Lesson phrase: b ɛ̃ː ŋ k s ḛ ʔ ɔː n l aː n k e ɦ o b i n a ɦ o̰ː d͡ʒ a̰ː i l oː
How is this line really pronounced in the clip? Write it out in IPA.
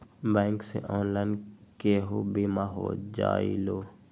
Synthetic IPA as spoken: b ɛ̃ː ŋ k s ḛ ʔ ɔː n l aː n k e ɦ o b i m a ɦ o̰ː d͡ʒ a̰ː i l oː